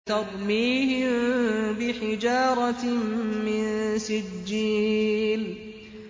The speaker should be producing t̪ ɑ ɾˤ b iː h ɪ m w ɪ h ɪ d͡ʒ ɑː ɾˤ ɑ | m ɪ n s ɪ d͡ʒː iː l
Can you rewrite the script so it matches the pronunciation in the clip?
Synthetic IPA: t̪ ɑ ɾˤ m iː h ɪ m b ɪ ħ ɪ d͡ʒ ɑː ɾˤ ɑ | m ɪ n s ɪ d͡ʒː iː l